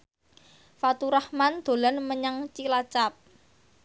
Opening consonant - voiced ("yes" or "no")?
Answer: no